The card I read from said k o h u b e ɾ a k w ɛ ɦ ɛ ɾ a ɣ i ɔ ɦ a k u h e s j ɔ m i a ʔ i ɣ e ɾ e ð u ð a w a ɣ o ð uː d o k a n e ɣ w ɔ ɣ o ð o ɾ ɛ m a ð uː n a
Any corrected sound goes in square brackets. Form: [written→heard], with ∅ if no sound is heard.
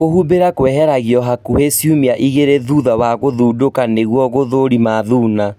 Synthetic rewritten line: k o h u b e ɾ a k w ɛ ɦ ɛ ɾ a ɣ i ɔ ɦ a k u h e s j [ɔ→u] m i a ʔ i ɣ e ɾ e ð u ð a w a ɣ o ð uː d o k a n e ɣ w ɔ ɣ o ð o ɾ [ɛ→i] m a ð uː n a